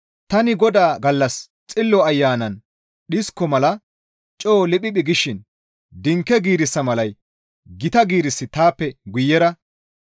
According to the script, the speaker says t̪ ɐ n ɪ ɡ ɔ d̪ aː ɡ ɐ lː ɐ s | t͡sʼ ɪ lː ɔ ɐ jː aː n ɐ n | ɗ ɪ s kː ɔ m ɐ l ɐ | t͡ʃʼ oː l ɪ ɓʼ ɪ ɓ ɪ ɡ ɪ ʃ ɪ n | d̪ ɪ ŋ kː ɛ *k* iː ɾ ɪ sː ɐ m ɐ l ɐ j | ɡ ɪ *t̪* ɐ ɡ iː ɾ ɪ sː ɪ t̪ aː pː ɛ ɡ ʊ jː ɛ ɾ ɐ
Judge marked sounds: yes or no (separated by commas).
no, yes